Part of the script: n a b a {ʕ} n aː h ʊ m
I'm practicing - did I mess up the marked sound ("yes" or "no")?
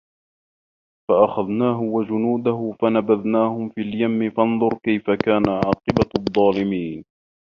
yes